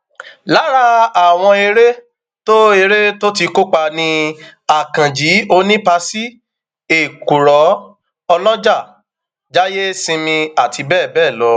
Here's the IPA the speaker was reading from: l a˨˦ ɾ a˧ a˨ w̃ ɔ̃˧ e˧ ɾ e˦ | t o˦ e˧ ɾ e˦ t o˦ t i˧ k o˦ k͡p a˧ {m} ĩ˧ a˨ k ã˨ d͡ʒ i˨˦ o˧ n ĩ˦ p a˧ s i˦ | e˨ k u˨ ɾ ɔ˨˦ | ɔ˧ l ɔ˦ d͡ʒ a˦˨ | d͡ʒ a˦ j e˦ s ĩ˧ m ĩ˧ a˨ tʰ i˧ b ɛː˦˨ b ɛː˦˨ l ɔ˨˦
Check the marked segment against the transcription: incorrect: n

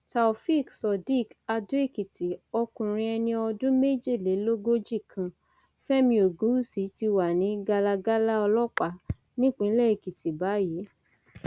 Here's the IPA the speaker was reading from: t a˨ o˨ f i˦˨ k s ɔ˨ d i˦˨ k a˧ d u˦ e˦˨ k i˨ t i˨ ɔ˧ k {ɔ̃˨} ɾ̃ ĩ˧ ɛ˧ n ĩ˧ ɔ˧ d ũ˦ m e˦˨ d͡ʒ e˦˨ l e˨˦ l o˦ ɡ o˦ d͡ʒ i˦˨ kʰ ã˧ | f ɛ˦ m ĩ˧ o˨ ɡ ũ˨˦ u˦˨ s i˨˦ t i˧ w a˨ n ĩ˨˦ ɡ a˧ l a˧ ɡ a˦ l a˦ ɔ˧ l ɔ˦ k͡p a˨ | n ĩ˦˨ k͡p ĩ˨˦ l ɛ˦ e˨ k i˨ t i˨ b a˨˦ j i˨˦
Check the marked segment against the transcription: incorrect: ũ˨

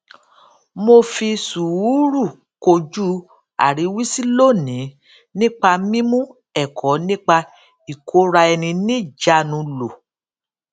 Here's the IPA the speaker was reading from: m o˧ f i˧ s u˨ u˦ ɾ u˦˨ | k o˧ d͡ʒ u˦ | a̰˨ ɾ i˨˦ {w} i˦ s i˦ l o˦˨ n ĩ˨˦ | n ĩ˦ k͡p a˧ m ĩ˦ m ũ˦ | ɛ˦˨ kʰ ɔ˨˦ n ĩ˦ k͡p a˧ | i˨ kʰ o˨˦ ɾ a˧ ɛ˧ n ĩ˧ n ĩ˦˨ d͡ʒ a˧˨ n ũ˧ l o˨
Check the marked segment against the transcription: correct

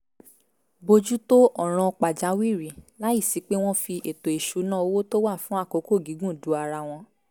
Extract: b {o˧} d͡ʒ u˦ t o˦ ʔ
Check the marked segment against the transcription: correct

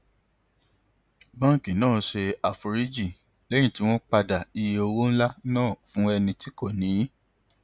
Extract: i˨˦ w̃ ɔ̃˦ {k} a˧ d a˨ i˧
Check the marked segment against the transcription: incorrect: k͡p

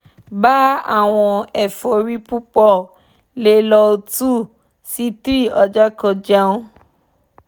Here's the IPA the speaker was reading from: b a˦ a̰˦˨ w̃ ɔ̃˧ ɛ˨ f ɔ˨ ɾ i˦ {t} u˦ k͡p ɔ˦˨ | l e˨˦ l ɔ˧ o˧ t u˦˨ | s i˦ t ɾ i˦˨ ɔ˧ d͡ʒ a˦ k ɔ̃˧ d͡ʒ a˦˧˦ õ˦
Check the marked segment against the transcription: incorrect: p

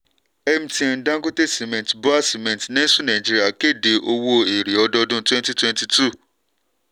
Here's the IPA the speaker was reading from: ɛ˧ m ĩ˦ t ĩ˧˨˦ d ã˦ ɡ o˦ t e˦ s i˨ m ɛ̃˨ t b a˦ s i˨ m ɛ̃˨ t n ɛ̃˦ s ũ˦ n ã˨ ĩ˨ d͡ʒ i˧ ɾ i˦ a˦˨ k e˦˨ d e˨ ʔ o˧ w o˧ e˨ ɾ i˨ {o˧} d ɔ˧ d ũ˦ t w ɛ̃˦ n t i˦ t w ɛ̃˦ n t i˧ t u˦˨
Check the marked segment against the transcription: incorrect: ɔ˧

